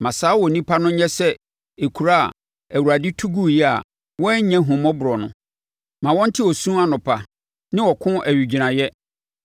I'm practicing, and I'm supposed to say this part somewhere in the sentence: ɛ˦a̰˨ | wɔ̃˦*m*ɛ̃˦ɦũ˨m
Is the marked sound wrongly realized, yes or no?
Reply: yes